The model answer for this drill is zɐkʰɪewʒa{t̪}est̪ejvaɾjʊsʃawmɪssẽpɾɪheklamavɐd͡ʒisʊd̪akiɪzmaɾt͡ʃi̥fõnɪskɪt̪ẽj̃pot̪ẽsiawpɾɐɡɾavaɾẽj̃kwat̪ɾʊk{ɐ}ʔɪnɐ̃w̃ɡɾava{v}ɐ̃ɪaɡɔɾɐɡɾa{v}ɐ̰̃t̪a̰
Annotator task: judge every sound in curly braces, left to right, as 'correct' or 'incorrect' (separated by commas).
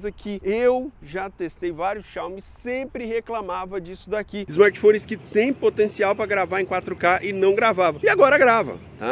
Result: correct, incorrect, correct, correct